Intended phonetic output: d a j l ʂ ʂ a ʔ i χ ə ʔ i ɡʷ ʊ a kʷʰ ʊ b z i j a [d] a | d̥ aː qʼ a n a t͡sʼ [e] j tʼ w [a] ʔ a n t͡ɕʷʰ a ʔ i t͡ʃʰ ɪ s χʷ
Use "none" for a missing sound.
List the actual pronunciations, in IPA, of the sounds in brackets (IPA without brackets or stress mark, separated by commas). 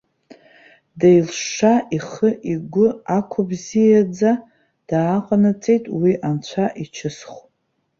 d͡z, e, i